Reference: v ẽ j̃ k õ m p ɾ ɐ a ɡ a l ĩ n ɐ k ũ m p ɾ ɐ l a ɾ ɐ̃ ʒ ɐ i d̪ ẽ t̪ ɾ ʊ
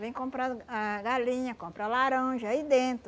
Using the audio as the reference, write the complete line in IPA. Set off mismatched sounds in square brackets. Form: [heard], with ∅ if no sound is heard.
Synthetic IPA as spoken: v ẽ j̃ k õ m p ɾ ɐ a ɡ a l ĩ [ɲ] ɐ k [õ] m p ɾ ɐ l a ɾ ɐ̃ ʒ ɐ i d̪ ẽ t̪ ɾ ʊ